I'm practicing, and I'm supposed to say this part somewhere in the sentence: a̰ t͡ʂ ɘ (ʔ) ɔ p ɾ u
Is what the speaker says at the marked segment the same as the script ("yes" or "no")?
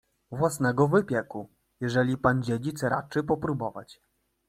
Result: no